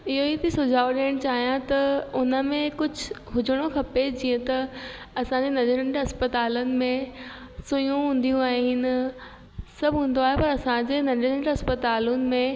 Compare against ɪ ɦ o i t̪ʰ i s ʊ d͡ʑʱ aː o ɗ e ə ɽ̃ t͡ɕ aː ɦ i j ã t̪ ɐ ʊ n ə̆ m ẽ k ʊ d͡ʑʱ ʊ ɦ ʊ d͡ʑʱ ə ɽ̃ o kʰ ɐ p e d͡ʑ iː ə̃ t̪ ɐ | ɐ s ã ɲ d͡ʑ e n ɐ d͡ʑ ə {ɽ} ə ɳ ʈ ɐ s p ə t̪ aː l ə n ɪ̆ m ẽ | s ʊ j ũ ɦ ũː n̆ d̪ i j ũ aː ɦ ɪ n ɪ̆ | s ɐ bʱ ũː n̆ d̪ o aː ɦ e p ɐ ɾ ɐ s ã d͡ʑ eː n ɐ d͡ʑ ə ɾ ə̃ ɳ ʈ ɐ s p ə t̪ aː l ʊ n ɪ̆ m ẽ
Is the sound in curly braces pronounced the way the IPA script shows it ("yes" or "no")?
no